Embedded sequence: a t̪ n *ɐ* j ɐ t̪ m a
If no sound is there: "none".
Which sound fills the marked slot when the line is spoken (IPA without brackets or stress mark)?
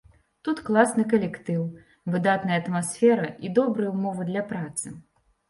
ɐ